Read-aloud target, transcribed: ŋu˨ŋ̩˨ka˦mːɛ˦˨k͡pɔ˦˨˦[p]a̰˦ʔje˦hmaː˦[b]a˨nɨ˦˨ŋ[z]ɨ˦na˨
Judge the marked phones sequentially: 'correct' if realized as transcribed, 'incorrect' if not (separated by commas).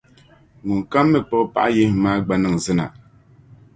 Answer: correct, incorrect, correct